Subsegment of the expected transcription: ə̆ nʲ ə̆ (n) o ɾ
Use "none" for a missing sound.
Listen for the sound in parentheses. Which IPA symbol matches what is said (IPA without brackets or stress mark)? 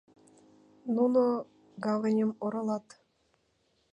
m